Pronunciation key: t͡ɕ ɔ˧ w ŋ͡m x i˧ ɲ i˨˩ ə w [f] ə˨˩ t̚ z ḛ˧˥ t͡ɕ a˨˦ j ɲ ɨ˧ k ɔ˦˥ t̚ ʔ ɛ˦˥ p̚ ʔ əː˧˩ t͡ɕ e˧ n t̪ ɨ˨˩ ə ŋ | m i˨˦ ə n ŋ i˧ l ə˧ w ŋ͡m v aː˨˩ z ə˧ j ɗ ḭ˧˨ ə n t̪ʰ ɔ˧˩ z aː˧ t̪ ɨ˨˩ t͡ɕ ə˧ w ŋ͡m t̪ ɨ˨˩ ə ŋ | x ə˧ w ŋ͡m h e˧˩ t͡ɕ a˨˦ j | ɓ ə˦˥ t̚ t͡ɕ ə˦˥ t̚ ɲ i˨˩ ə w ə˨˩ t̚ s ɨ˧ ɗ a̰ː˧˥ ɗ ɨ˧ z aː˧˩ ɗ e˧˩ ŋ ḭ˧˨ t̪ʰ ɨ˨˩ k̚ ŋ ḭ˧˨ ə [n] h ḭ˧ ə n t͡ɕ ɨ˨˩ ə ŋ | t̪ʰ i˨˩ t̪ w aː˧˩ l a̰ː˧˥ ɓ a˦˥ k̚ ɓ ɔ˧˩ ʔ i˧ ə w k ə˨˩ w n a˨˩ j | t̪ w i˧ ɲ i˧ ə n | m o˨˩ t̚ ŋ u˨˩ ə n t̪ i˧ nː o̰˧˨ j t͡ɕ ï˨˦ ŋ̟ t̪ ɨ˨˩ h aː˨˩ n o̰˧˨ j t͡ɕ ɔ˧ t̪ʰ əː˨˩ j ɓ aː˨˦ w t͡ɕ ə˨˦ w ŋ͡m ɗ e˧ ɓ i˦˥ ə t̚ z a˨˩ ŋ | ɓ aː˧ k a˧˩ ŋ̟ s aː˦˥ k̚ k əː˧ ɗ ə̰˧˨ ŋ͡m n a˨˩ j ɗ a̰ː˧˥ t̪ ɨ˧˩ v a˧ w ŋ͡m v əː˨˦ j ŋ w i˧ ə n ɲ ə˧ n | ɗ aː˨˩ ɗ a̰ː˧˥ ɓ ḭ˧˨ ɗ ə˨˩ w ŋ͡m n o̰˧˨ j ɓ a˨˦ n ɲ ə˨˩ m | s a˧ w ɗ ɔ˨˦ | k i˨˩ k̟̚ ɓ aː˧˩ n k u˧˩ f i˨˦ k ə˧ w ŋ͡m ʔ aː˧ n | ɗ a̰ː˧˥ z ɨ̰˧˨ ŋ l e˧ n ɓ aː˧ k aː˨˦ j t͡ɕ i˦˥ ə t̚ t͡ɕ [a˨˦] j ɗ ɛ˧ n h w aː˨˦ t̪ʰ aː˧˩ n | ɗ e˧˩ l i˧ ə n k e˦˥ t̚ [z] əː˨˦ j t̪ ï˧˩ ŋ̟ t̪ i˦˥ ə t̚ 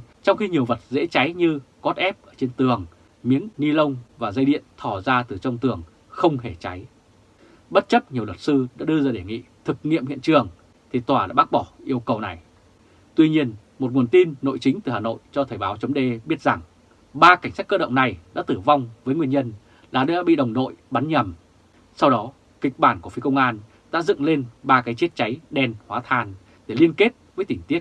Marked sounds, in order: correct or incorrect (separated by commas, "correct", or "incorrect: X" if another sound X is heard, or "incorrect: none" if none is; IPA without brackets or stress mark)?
incorrect: v, incorrect: m, correct, incorrect: v